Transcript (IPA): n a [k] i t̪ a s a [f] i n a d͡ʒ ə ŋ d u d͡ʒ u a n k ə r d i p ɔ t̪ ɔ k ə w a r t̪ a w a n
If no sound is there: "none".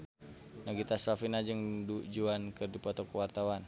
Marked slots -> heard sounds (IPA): ɡ, f

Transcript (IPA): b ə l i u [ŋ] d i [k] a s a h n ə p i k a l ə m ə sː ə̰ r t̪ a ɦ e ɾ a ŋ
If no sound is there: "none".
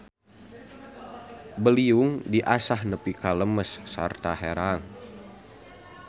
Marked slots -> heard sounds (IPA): ŋ, ʔ

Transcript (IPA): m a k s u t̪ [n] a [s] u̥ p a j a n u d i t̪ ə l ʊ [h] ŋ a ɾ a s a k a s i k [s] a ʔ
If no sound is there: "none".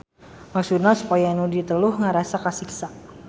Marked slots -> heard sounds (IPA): n, s, h, s

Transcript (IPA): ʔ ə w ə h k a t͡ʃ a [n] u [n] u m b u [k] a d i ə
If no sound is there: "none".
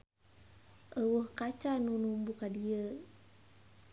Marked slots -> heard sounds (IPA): n, n, k

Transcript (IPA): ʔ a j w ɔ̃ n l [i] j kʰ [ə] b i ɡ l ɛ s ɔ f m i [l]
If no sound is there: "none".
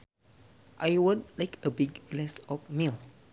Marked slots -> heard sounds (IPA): a, ə, l

